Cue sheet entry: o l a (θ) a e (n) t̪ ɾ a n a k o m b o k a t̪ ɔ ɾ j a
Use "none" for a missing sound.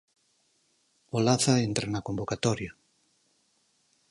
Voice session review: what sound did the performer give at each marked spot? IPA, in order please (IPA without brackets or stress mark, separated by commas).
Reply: θ, n